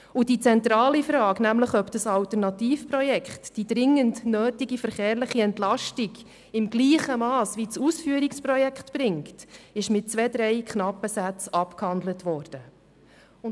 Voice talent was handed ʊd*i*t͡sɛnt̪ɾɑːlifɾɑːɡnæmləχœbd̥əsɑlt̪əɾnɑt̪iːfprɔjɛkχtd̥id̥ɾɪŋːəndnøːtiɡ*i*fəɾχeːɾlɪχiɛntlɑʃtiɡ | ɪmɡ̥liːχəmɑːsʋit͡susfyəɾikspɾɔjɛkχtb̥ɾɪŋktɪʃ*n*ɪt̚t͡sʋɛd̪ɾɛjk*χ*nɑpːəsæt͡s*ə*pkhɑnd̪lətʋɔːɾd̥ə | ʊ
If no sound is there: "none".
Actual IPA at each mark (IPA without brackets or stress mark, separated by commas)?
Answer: i, i, m, χ, ɑ